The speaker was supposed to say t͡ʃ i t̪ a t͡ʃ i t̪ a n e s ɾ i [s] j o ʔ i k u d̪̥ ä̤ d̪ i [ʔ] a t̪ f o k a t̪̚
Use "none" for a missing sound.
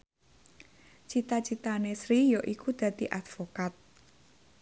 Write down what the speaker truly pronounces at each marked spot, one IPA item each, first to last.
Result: none, ʔ

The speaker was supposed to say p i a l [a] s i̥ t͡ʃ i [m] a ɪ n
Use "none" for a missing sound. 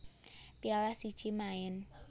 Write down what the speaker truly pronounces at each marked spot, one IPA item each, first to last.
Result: a, m

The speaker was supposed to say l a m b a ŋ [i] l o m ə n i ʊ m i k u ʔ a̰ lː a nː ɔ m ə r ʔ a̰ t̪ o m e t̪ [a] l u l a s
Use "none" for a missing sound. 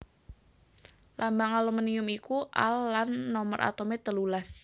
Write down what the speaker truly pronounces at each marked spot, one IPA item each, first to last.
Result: a, ə

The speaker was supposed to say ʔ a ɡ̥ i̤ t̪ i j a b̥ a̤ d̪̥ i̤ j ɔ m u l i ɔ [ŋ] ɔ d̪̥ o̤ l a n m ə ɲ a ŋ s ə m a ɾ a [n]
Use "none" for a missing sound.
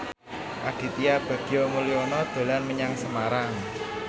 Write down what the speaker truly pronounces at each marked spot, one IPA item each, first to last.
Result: n, ŋ

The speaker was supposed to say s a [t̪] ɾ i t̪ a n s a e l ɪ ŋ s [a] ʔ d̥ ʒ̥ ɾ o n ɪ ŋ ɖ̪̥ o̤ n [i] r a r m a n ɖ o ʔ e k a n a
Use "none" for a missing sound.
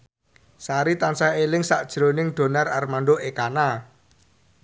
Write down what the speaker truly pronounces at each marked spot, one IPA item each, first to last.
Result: none, a, a

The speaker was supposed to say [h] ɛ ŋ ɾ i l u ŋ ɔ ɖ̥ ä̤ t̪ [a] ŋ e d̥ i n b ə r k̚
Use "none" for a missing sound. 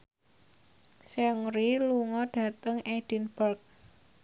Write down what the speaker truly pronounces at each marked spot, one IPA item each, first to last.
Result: s, ə

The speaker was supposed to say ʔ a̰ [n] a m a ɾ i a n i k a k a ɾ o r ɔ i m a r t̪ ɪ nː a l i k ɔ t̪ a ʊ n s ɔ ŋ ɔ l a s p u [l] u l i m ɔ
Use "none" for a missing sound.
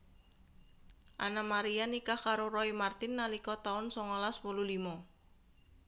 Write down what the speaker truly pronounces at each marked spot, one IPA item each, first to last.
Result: n, l

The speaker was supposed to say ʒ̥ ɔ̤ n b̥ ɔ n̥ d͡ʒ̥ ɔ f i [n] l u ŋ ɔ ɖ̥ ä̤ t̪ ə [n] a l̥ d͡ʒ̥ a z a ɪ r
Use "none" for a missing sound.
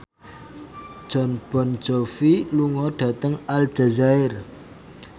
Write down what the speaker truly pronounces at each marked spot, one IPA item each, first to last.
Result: none, ŋ

